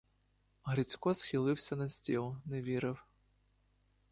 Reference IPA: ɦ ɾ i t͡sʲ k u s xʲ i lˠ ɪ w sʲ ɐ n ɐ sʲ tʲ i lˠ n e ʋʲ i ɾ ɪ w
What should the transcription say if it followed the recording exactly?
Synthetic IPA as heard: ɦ ɾ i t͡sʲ k ɔ s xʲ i lˠ ɪ w sʲ ɐ n ɐ sʲ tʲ i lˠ n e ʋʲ i ɾ ɪ w